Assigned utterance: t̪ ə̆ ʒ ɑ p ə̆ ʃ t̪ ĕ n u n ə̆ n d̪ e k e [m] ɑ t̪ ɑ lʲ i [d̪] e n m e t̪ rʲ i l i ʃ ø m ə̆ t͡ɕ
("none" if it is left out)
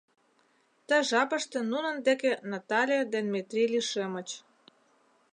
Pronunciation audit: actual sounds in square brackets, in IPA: n, d̪

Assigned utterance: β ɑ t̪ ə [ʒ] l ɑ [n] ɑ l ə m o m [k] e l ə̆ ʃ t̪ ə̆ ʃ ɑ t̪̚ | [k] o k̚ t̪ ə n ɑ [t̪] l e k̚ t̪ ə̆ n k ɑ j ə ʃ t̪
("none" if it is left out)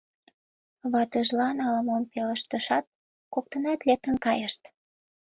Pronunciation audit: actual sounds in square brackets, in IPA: ʒ, n, p, k, t̪

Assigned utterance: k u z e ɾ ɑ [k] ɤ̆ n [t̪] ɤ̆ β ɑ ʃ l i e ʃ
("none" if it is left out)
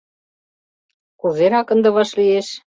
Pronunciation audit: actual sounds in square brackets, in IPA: k, d̪

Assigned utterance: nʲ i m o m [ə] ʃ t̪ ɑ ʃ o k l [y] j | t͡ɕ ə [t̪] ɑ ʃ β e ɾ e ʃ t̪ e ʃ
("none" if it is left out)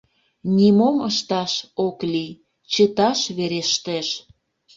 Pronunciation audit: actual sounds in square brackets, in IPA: ə, i, t̪

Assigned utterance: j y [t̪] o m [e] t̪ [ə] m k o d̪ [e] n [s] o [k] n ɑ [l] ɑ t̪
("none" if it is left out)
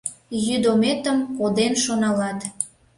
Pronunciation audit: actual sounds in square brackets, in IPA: d̪, e, ə, e, ʃ, none, l

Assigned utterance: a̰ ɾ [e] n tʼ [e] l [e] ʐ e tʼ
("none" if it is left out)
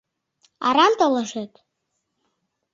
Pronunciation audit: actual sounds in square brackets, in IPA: a, a, a

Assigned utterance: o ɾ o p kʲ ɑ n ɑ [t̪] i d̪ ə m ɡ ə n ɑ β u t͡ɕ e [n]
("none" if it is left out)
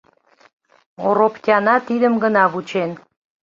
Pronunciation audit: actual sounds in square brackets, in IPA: t̪, n

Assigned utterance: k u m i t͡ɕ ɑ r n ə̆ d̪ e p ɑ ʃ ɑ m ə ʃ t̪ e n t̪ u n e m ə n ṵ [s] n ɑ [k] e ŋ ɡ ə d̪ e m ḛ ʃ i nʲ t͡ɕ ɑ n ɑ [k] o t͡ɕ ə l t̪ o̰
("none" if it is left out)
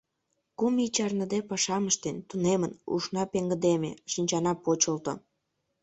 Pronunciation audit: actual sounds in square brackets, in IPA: ʃ, p, p

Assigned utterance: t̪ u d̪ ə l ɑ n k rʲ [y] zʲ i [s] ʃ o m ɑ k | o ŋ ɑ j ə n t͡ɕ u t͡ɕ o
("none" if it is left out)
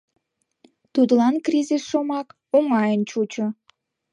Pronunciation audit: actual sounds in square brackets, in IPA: i, s

